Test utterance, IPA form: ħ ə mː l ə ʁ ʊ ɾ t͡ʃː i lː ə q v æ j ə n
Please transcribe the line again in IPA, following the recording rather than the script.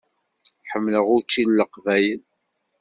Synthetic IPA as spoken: ħ ə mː l ə ʁ ʊ ɾ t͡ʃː i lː ə q v æ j ə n